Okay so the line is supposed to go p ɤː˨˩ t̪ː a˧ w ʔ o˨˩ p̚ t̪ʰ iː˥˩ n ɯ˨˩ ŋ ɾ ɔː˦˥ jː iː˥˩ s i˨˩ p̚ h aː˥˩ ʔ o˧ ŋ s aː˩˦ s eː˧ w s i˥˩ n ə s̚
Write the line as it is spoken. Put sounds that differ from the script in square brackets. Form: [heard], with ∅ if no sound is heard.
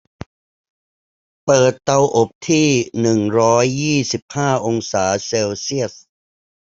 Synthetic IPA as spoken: p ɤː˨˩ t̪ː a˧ w ʔ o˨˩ p̚ t̪ʰ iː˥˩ n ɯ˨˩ ŋ ɾ ɔː˦˥ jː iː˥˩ s i˨˩ p̚ h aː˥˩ ʔ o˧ ŋ s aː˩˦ s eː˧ w s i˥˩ [∅] ə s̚